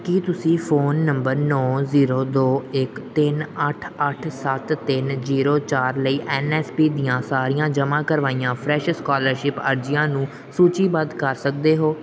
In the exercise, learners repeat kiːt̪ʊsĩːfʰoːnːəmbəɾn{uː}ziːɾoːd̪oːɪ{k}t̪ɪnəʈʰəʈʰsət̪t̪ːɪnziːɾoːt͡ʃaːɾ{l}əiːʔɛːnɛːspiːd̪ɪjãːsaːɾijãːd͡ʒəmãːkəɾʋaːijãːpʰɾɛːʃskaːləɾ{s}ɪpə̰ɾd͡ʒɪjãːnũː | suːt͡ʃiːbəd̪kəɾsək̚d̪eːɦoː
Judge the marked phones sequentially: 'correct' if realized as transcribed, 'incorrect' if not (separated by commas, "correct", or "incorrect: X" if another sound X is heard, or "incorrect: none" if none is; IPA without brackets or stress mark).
incorrect: ɔː, correct, correct, incorrect: ʃ